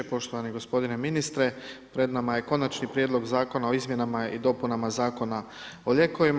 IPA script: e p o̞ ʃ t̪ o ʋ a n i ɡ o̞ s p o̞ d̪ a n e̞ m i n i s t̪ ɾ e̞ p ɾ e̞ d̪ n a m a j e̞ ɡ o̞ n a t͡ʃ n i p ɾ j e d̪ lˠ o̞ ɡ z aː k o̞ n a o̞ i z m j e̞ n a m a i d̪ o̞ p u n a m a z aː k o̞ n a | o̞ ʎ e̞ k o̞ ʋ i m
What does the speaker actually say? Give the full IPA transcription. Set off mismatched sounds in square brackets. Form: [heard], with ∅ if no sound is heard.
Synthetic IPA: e p o̞ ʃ t̪ o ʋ a n i ɡ o̞ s p o̞ d̪ [i] n e̞ m i n i s t̪ ɾ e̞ p ɾ e̞ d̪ n a m a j e̞ [k] o̞ n a t͡ʃ n i p ɾ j e d̪ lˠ o̞ ɡ z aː k o̞ n a o̞ i z m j e̞ n a m a i d̪ o̞ p u n a m a z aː k o̞ n a | o̞ ʎ e̞ k o̞ ʋ i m